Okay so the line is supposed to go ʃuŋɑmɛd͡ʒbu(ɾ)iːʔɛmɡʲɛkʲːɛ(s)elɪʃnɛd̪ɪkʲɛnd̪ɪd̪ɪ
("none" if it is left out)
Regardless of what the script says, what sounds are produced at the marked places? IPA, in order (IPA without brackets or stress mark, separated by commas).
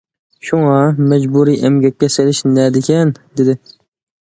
ɾ, s